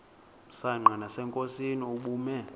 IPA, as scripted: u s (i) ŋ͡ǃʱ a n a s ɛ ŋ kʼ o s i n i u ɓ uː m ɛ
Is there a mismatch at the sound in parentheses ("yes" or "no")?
yes